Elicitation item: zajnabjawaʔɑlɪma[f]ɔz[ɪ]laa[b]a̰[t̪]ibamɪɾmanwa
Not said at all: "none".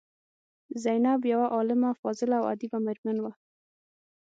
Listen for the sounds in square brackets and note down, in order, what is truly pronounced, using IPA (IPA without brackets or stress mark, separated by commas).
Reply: f, ɪ, w, d̪